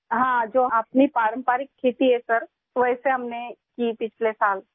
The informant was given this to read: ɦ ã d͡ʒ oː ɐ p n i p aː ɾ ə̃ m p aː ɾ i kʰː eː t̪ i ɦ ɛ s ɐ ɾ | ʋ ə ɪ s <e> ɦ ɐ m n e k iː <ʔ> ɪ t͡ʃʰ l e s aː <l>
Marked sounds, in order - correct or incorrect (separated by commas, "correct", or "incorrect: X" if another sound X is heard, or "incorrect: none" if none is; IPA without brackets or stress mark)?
correct, incorrect: p, correct